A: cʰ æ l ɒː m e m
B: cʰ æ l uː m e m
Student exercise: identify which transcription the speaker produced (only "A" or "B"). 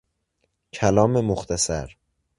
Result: A